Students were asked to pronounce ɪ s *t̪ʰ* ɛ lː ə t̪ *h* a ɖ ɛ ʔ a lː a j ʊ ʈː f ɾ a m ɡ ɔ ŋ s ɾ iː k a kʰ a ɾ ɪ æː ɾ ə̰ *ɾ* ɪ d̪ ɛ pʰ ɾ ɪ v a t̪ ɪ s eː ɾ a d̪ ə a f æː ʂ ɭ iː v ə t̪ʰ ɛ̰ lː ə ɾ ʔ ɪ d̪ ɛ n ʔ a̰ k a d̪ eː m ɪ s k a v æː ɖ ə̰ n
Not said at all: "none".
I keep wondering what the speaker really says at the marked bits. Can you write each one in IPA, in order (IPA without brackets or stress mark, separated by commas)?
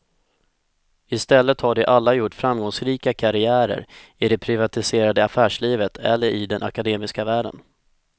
t̪, h, ɾ